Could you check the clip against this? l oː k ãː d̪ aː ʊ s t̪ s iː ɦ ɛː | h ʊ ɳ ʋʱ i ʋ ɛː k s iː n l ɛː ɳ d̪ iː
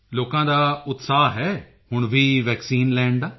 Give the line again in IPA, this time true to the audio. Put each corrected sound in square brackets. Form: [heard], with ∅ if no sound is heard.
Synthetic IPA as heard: l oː k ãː d̪ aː ʊ [∅] t̪ s [aː] ɦ ɛː | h ʊ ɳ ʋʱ [iː] ʋ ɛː k s iː n l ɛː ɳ d̪ [aː]

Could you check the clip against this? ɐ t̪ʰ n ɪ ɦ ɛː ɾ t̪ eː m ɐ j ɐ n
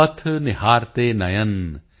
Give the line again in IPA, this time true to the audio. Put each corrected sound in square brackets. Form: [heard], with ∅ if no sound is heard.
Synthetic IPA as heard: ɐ t̪ʰ n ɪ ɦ [aː] ɾ t̪ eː [n] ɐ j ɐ n

